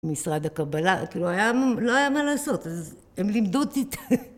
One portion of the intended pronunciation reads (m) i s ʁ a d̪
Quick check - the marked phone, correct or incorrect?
correct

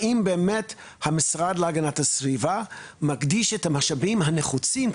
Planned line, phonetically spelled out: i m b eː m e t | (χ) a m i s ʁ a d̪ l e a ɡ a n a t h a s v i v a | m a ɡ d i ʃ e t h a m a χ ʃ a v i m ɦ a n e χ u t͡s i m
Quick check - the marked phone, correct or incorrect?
incorrect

